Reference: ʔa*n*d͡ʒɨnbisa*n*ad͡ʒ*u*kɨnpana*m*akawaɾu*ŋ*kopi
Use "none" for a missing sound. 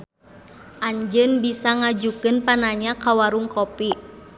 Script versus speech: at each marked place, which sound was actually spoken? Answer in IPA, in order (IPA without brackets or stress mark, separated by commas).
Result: ɲ, ŋ, u, ɲ, ŋ